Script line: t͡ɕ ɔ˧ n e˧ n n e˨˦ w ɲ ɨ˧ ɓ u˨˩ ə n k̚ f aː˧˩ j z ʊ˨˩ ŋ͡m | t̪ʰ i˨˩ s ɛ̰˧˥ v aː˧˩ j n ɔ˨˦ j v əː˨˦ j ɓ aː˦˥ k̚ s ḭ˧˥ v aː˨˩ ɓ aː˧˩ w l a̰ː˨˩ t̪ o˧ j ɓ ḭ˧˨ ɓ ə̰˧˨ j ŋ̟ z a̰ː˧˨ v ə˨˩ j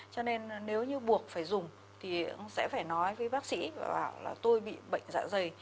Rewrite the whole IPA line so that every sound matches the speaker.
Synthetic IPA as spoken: t͡ɕ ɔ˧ n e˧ n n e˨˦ w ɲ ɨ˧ ɓ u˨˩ ə k̚ f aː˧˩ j z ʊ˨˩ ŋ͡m | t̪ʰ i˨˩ s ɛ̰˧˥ f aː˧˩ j n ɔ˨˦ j v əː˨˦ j ɓ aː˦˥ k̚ s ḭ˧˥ v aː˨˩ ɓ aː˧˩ w l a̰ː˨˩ t̪ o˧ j ɓ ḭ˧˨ ɓ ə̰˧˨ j ŋ̟ z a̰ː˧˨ z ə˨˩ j